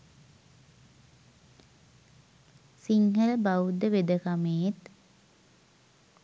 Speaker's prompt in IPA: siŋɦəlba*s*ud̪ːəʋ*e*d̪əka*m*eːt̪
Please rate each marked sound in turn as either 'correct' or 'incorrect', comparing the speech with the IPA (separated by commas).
incorrect, correct, correct